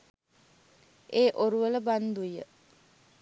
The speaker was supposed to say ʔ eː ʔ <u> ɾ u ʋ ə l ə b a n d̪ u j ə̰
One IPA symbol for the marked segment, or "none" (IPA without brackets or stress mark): o